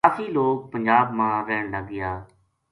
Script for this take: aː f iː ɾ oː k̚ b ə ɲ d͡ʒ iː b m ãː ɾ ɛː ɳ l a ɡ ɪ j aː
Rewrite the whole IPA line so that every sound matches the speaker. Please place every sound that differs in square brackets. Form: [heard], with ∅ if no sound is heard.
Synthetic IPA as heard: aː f iː [l] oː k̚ [p] ə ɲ d͡ʒ [aː] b m ãː ɾ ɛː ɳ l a ɡ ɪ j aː